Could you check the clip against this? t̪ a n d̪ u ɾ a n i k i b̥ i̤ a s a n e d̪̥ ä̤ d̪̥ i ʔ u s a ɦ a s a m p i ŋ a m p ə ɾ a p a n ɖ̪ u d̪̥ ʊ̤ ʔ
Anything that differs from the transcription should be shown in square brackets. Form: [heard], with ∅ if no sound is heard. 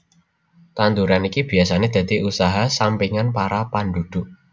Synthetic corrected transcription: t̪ a n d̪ u ɾ a n i k i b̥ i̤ a s a n e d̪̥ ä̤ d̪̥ i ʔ u s a ɦ a s a m p i ŋ a [n] p [a] ɾ a p a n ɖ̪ u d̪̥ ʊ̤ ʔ

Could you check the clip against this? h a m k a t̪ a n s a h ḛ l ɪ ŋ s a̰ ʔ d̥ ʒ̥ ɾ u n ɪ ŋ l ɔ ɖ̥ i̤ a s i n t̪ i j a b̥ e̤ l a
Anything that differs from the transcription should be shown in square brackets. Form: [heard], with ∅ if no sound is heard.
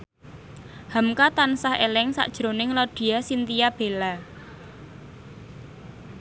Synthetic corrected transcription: h a m k a t̪ a n s a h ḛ l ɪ ŋ s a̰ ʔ d̥ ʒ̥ ɾ [o] n ɪ ŋ l ɔ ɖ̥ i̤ a s i n t̪ i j a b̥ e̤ l a

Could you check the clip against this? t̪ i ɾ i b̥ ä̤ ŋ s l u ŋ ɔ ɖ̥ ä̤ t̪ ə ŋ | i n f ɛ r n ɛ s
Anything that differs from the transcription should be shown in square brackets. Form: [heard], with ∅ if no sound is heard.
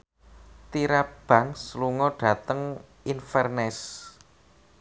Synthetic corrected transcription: t̪ i ɾ [a] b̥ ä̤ ŋ s l u ŋ ɔ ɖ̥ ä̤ t̪ ə ŋ | i n f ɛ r n ɛ s

